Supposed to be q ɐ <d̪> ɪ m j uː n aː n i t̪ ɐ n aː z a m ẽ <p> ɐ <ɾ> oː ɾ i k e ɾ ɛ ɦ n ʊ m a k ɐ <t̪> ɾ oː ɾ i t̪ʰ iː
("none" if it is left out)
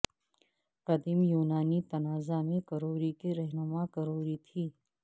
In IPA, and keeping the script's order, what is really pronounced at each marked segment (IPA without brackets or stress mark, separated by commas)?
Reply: d̪, k, ɾ, none